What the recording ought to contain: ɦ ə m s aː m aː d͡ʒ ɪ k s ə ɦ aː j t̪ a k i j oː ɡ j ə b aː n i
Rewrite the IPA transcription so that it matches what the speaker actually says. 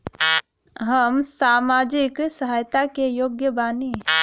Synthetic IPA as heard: ɦ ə m s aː m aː d͡ʒ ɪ k s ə ɦ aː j t̪ a k e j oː ɡ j ə b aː n i